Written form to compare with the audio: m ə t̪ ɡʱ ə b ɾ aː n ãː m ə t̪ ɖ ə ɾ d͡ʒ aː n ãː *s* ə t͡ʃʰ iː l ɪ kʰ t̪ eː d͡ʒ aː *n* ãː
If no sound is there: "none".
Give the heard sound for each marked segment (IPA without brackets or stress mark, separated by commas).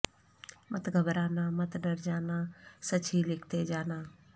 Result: s, n